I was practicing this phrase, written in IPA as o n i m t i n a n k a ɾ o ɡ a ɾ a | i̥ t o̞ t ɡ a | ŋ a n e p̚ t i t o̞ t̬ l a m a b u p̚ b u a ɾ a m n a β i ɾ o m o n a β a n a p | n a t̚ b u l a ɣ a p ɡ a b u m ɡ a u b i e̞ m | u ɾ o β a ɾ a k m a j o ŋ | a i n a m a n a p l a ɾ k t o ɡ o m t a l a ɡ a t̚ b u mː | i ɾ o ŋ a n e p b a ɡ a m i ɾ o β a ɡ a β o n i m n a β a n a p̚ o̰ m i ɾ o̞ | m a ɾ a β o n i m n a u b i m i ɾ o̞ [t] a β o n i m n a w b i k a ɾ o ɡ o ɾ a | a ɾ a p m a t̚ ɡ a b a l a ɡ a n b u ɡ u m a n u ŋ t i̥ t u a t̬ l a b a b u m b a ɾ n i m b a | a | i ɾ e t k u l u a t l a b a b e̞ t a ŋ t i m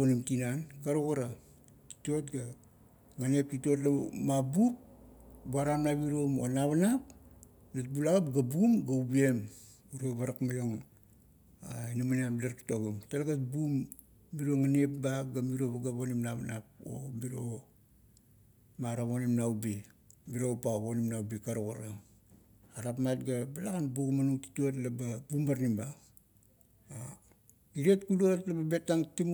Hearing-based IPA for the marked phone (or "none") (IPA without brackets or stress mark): p